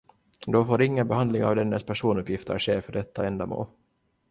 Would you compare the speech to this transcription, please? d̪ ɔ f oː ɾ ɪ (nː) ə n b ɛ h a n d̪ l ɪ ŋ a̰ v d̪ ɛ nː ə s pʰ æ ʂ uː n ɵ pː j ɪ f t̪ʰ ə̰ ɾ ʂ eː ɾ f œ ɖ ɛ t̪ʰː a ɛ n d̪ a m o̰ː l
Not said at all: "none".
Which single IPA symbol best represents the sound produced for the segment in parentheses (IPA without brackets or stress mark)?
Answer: ŋː